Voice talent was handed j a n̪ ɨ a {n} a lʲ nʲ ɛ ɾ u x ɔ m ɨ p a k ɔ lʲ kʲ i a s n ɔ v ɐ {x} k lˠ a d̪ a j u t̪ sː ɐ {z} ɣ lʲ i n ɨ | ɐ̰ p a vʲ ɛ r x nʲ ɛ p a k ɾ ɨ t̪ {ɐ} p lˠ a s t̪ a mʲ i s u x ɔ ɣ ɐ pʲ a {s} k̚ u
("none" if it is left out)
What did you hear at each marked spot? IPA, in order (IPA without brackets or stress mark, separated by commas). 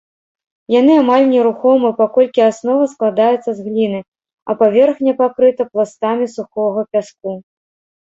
m, s, z, ɐ, s